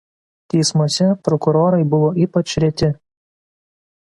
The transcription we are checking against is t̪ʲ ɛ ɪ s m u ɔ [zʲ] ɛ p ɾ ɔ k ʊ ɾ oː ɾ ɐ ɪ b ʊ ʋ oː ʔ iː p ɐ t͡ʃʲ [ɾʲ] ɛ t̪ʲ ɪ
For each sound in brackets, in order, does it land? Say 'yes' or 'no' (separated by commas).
no, yes